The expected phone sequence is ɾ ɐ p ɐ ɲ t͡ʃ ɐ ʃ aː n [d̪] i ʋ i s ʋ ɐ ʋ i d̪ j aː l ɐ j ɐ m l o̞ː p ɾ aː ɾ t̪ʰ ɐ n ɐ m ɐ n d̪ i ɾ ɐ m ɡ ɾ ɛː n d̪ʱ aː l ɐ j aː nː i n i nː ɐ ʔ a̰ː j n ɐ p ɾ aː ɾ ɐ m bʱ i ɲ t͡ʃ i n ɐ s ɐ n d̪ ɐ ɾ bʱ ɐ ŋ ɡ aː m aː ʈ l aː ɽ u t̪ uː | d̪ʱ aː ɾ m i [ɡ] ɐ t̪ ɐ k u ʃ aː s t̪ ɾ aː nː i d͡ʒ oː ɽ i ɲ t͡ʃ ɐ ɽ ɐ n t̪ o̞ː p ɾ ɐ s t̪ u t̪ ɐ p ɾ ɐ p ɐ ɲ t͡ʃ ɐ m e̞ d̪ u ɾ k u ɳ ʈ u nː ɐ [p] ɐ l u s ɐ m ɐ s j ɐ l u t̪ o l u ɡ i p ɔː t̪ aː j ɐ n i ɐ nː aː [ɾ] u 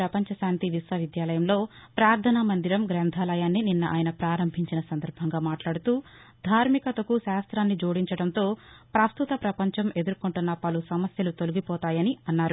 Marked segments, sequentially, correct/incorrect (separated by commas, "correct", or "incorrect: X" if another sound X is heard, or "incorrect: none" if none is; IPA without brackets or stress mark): incorrect: t̪, incorrect: k, correct, correct